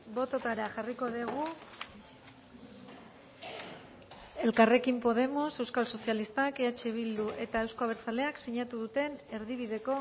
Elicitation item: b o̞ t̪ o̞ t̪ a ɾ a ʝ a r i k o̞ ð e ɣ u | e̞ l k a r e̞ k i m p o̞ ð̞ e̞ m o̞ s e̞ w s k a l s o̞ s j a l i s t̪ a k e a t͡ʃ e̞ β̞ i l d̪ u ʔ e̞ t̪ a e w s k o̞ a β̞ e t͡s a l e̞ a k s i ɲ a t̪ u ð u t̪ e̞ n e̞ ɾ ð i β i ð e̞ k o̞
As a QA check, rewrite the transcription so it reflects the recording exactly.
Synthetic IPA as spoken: b o̞ t̪ o̞ t̪ a ɾ a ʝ a r i k o̞ ð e ɣ u | e̞ l k a r e̞ k i m p o̞ ð̞ e̞ m o̞ s e̞ w s k a l s o̞ s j a l i s t̪ a k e a t͡ʃ e̞ β̞ i l d̪ u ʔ e̞ t̪ a e w s k o̞ a β̞ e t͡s a l e̞ a k s i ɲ a t̪ u ð u t̪ e̞ n e̞ ɾ ð i β i ð e̞ k o̞